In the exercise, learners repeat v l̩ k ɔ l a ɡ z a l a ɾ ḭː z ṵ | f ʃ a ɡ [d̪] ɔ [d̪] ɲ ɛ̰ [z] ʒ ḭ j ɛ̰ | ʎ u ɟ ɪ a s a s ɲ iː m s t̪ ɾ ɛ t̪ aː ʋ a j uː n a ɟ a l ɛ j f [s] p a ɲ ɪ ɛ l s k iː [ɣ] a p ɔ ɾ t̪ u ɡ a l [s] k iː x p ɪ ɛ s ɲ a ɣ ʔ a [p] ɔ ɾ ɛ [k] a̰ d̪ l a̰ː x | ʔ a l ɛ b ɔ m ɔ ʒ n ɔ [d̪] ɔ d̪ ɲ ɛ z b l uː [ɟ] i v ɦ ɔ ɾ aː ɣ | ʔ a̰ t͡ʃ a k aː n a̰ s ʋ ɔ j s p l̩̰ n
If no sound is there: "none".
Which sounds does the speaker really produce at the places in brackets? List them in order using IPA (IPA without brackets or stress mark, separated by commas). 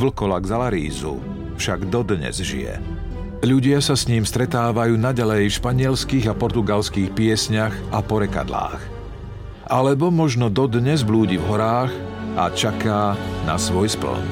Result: d̪, d̪, z, ʃ, ɣ, s, p, k, d̪, ɟ